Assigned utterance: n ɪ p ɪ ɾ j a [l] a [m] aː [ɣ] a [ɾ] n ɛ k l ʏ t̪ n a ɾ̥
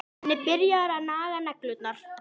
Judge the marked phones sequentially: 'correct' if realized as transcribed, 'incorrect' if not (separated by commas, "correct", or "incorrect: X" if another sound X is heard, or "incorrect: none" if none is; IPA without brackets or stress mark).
incorrect: ɾ, incorrect: n, correct, incorrect: none